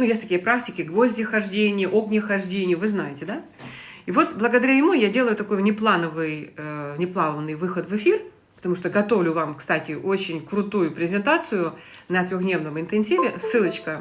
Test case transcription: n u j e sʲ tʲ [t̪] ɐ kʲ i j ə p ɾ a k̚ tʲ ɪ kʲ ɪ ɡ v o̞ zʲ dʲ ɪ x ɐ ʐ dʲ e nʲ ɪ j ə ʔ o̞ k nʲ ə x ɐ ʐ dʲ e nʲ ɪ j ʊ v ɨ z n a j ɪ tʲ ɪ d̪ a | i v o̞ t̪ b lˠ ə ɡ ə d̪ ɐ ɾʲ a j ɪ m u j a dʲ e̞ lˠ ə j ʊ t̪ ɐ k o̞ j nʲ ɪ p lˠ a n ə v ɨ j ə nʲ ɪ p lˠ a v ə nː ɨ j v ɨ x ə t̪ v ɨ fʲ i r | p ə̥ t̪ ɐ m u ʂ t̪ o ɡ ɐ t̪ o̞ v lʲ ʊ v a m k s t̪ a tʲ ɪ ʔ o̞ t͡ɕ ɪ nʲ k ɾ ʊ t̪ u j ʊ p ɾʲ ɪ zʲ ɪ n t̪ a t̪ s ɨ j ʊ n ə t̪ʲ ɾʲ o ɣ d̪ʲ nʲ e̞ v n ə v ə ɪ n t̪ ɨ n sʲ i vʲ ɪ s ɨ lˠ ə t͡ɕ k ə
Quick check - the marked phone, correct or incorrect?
correct